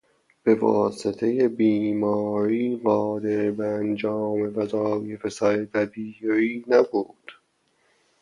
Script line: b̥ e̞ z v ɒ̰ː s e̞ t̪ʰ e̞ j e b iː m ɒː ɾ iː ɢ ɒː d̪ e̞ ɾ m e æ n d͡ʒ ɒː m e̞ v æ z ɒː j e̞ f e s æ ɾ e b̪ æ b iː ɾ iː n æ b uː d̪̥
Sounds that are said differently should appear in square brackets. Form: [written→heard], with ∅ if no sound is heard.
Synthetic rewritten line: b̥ e̞ [z→∅] v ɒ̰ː s e̞ t̪ʰ e̞ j e b iː m ɒː ɾ iː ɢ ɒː d̪ e̞ ɾ [m→b] e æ n d͡ʒ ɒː m e̞ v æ z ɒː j e̞ f e s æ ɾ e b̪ æ b iː ɾ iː n æ b uː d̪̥